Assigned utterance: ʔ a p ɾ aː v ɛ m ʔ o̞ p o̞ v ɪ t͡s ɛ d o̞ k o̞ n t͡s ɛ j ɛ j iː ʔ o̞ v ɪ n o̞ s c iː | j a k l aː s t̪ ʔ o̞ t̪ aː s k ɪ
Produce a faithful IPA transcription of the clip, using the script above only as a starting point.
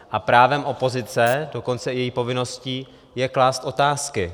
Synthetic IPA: ʔ a p ɾ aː v ɛ m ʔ o̞ p o̞ z ɪ t͡s ɛ d o̞ k o̞ n t͡s ɛ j ɛ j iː p o̞ v ɪ n o̞ s c iː | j ɛ k l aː s t̪ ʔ o̞ t̪ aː s k ɪ